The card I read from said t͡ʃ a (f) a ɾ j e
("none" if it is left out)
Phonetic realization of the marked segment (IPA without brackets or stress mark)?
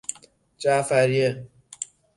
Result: f